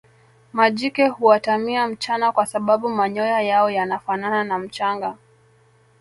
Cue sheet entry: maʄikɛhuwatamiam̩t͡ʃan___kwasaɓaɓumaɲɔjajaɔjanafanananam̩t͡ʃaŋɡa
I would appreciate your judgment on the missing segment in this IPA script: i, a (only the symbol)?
a